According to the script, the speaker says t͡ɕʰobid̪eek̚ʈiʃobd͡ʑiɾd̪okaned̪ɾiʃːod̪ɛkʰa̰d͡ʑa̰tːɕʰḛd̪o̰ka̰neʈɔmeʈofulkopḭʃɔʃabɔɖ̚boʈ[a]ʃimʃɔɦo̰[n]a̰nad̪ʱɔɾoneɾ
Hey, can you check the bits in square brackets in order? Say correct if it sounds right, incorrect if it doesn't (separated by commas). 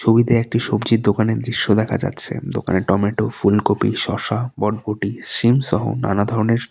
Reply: incorrect, correct